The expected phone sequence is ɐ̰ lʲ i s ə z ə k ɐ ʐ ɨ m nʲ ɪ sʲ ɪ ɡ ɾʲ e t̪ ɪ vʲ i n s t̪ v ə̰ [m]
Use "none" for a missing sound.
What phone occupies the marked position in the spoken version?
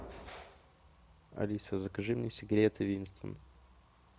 n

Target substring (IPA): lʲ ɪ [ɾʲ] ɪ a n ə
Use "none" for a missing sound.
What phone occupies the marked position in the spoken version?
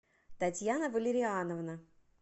ɾʲ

